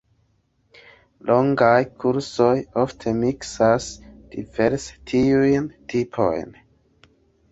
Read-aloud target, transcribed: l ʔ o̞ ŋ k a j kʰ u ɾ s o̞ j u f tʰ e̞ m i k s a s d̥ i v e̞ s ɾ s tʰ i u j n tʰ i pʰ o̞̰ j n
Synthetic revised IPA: l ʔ o̞ ŋ ɡ a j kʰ u ɾ s o̞ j o f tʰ e̞ m i k s a s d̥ i v e̞ ɾ s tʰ i u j n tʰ i pʰ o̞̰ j n